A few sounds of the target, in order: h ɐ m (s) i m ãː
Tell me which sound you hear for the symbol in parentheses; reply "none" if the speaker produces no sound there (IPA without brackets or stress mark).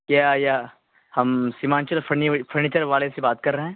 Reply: s